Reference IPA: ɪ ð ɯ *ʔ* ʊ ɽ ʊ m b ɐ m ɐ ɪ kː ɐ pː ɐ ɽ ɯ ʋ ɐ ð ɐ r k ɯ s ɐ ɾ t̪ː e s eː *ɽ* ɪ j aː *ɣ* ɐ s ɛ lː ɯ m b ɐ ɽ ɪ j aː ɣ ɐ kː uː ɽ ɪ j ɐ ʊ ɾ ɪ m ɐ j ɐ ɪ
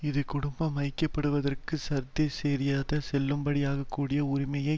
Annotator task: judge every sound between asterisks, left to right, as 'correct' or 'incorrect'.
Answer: incorrect: k, incorrect: ɾ, incorrect: ð

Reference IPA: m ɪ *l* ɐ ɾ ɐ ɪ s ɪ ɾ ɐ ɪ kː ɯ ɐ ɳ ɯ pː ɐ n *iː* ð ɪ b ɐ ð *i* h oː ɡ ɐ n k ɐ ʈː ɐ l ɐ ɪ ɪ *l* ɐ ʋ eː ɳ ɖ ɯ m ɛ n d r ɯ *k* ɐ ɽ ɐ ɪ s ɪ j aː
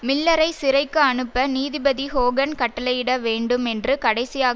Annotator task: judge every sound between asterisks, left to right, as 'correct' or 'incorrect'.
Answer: incorrect: lː, correct, correct, incorrect: ɽ, correct

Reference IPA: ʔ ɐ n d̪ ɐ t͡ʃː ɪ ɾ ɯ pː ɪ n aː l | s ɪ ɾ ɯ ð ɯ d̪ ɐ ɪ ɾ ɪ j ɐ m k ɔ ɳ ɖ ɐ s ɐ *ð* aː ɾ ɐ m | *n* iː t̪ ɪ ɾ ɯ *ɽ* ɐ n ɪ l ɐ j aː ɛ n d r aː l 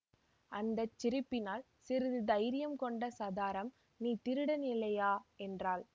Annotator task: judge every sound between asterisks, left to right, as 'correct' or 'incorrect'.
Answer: correct, correct, correct

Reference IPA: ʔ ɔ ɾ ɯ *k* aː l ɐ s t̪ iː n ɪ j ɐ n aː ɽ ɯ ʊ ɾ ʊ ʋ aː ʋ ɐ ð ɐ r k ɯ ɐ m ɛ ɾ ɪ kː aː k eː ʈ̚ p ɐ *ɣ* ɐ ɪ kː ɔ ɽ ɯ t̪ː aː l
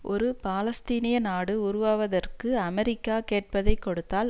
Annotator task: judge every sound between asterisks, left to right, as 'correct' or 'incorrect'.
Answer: incorrect: p, incorrect: ð

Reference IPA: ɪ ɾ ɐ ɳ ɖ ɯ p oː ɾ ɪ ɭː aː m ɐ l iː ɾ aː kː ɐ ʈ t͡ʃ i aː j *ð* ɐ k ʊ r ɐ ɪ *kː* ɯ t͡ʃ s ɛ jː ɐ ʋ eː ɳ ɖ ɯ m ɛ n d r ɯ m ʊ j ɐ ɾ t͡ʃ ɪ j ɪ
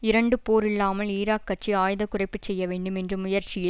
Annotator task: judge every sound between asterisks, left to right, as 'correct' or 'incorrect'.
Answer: correct, incorrect: pː

